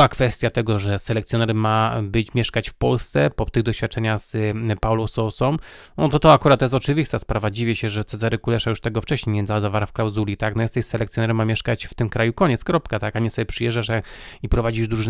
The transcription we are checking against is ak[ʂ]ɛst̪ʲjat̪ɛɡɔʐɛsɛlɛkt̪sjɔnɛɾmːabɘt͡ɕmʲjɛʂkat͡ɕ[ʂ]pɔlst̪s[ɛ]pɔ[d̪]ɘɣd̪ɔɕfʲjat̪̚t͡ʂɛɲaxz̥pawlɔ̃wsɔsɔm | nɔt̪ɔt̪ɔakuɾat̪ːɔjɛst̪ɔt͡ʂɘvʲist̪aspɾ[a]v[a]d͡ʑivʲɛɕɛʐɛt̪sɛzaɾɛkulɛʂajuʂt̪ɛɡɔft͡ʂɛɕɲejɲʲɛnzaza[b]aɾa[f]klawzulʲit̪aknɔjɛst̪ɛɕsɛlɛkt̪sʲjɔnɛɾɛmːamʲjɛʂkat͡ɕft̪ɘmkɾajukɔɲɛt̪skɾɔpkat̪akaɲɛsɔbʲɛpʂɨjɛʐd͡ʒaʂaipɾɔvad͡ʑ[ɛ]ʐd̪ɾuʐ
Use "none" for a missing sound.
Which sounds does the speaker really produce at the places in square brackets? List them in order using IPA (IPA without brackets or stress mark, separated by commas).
f, f, ɛ, t̪, a, a, v, f, i